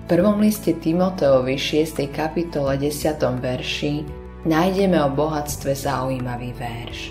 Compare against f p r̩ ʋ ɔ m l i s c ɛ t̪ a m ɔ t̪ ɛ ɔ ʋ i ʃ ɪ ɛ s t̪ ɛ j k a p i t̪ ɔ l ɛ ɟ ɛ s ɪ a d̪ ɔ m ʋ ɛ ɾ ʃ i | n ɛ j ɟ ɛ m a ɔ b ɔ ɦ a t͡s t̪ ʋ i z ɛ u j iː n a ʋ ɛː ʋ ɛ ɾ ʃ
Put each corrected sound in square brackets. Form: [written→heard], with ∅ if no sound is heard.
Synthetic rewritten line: f p r̩ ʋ ɔ m l i s c ɛ t̪ [a→i] m ɔ t̪ ɛ ɔ ʋ i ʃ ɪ ɛ s t̪ ɛ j k a p i t̪ ɔ l ɛ ɟ ɛ s ɪ a [d̪→t̪] ɔ m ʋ ɛ ɾ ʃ i | n [ɛ→a] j ɟ ɛ m [a→ɛ] ɔ b ɔ ɦ a t͡s t̪ ʋ [i→ɛ] z [ɛ→a] u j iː [n→m] a ʋ [ɛː→iː] ʋ ɛ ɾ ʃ